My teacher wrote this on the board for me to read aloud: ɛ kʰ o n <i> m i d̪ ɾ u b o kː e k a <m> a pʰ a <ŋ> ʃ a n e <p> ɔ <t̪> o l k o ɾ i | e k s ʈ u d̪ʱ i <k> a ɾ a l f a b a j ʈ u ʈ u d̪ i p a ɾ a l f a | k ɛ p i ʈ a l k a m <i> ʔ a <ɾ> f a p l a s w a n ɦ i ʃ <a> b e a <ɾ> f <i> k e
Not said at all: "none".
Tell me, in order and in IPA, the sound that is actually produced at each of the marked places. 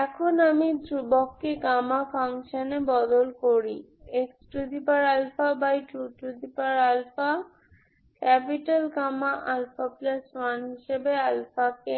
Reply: a, m, ŋ, b, d̪, p, a, l, e, l, a

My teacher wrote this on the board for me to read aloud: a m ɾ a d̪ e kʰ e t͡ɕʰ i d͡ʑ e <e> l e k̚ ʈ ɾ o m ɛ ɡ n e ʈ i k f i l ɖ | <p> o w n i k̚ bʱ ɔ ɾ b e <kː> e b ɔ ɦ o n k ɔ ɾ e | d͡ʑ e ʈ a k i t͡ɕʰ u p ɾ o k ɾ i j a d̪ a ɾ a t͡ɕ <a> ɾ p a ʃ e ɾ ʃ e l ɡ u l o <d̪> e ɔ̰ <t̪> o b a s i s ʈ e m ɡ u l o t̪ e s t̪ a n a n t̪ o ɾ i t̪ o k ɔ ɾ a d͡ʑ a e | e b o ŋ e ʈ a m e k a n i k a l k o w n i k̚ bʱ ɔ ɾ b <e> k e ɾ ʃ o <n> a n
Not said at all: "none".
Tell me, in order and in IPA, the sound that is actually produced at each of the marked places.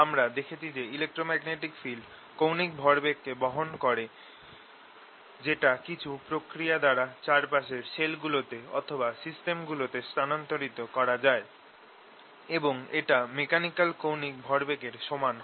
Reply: i, k, kː, a, t̪, t̪ʰ, e, m

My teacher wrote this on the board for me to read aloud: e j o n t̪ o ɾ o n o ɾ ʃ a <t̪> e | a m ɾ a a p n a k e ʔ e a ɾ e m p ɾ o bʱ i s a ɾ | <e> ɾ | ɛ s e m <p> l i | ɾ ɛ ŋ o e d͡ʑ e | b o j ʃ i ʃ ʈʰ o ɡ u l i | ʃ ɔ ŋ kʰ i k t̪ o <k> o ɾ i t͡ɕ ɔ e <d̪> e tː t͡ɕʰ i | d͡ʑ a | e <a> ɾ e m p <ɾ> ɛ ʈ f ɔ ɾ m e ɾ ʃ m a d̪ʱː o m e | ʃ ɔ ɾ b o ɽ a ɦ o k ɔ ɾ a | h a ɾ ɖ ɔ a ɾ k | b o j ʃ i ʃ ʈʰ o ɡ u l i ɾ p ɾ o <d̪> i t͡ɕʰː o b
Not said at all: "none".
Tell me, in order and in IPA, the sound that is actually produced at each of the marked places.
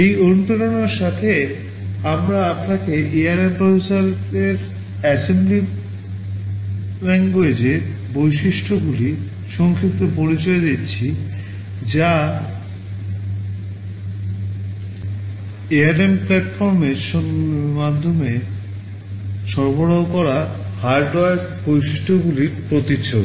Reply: t̪ʰ, e, b, p, d̪, a, l, t̪

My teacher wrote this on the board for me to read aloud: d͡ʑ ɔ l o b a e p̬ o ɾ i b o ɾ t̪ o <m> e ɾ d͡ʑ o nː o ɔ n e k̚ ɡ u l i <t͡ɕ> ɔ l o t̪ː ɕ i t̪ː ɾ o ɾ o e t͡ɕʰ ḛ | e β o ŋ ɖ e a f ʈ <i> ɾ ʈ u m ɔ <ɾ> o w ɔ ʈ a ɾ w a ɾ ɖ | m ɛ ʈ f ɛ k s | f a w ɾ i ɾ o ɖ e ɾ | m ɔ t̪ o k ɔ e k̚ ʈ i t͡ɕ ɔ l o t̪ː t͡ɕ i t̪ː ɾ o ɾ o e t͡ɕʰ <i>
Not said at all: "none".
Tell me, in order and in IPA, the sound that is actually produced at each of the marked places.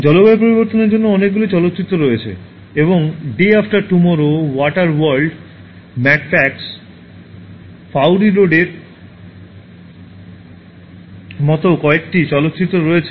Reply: n, t͡ɕ, a, ɾ, e

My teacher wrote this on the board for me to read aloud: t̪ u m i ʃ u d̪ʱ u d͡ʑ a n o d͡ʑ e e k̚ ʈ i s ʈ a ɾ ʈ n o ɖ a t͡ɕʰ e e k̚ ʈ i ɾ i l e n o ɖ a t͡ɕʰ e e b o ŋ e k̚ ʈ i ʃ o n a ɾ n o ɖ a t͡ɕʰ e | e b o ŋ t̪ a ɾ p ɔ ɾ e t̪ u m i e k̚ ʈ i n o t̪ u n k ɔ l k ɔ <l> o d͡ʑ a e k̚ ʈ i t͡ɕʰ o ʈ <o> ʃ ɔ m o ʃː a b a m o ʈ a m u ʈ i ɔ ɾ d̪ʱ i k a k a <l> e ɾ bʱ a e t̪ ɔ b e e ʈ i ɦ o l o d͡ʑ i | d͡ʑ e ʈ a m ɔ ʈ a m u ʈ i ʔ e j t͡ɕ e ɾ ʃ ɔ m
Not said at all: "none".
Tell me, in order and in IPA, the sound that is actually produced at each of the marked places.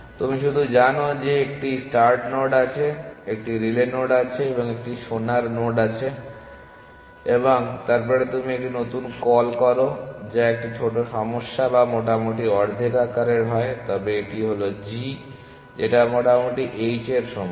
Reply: ɾ, o, ɾ

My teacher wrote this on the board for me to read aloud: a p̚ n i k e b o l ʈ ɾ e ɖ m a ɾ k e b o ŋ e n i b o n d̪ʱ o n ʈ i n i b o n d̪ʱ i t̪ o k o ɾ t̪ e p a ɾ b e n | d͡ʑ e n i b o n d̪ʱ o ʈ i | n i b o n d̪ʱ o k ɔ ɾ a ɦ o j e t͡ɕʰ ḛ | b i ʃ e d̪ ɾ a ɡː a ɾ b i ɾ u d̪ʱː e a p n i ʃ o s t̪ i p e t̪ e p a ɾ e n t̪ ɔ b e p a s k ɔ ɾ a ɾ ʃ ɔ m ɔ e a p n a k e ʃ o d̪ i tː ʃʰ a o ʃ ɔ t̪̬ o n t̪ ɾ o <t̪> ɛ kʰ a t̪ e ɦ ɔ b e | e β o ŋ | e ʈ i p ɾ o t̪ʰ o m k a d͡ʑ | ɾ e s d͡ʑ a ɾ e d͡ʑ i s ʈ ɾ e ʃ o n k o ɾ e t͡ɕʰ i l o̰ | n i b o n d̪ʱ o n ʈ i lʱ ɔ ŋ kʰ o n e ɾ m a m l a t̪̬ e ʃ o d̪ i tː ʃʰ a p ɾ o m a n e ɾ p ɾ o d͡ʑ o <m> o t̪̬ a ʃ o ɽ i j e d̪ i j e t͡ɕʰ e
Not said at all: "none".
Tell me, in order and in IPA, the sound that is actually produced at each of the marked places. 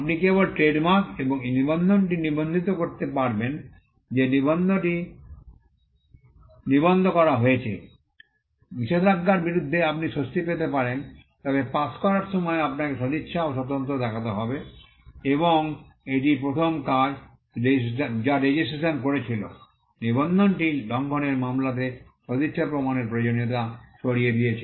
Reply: d̪, n

